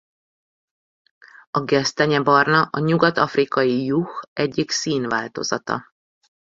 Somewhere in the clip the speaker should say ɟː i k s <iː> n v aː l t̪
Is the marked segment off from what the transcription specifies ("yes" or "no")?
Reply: no